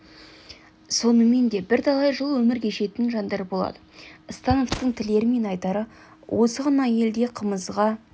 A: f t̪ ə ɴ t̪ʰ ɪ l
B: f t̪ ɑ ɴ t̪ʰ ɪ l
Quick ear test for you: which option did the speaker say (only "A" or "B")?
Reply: A